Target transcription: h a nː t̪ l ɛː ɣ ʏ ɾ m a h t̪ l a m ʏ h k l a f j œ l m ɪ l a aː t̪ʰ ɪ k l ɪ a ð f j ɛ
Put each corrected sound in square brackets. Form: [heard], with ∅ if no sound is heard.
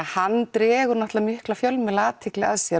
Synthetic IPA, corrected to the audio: h a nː t̪ [ɾ] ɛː ɣ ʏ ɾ [n] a h t̪ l a m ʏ h k l a f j œ l m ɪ l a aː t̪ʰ ɪ k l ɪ a ð [s] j ɛ